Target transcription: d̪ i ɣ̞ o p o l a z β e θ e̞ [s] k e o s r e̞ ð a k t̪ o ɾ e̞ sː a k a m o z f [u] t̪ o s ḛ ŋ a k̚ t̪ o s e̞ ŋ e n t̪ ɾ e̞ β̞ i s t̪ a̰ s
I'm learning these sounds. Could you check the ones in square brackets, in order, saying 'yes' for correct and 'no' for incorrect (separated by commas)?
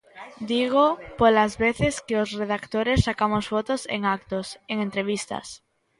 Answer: yes, no